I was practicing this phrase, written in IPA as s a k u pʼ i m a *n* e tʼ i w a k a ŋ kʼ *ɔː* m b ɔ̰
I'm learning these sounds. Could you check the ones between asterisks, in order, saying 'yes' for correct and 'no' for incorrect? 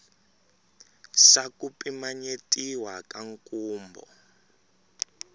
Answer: no, no

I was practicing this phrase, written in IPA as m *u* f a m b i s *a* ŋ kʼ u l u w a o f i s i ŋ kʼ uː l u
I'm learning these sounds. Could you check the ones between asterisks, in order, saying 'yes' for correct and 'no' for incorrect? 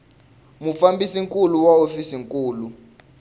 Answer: yes, no

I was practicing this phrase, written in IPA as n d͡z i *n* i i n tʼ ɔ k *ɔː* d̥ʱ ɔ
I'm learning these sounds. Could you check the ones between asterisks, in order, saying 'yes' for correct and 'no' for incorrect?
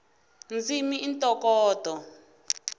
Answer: no, yes

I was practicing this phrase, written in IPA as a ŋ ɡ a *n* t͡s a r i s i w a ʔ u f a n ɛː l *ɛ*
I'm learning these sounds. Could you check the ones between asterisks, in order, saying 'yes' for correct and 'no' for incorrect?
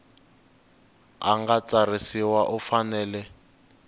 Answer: no, yes

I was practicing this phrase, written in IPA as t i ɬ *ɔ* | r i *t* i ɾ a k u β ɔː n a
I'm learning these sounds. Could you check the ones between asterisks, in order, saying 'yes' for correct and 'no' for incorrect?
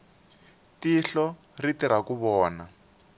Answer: yes, yes

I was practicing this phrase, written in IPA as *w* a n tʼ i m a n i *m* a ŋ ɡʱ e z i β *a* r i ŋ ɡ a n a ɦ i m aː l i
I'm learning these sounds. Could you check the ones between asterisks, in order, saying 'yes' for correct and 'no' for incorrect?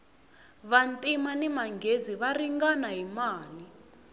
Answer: no, yes, yes

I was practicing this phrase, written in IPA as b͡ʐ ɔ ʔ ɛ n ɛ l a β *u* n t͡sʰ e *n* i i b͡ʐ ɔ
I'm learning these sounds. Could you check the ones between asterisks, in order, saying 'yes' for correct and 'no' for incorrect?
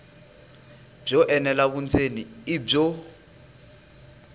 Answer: yes, yes

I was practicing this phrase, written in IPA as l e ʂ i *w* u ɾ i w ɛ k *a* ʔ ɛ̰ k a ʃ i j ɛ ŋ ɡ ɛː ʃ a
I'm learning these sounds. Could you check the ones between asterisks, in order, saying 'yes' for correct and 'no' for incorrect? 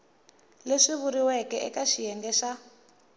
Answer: no, no

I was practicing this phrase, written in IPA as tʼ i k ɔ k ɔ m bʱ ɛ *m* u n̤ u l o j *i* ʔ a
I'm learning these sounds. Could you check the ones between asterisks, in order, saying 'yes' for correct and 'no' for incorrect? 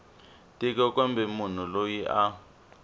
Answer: yes, yes

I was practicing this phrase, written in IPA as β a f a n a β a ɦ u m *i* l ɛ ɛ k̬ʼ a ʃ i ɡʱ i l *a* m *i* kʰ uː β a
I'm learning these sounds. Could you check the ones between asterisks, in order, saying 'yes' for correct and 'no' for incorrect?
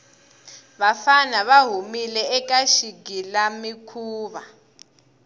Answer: yes, yes, yes

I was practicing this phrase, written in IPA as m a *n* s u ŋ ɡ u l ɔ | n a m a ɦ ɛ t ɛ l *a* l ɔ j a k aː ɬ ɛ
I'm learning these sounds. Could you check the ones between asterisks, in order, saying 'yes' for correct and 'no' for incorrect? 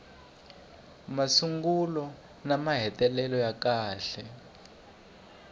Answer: no, no

